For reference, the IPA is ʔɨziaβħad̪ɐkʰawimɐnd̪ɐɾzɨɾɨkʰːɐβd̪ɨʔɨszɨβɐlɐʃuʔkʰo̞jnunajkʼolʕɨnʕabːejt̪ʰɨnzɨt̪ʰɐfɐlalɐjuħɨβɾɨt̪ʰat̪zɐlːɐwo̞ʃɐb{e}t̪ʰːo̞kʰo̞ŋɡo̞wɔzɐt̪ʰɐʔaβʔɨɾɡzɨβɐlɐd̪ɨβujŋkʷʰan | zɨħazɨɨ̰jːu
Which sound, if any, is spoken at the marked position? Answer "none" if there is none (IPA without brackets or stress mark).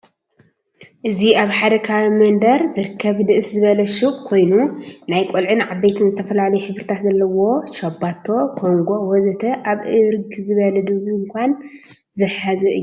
a